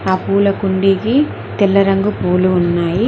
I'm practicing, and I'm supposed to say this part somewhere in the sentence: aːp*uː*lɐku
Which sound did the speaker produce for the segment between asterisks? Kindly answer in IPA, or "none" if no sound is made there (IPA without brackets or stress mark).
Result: uː